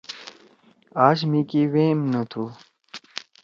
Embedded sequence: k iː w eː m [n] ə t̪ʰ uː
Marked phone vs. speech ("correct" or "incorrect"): correct